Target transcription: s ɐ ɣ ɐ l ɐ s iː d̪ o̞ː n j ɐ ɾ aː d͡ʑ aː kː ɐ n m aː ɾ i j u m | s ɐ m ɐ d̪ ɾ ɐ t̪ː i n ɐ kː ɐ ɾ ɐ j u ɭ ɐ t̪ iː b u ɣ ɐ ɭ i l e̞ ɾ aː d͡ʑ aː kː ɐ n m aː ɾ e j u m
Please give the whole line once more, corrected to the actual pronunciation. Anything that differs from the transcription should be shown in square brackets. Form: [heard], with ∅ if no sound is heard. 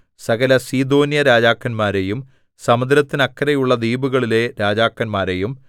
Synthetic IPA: s ɐ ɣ ɐ l ɐ s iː d̪ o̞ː n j ɐ ɾ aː d͡ʑ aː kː ɐ n m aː ɾ [e] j u m | s ɐ m ɐ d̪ ɾ ɐ t̪ː i n ɐ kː ɐ ɾ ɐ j u [ɭː] ɐ [d̪] iː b u ɣ ɐ ɭ i l e̞ ɾ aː d͡ʑ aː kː ɐ n m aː ɾ e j u m